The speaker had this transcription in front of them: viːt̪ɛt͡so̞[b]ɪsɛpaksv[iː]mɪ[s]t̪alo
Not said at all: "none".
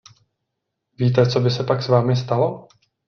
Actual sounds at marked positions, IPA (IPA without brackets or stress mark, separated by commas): b, aː, s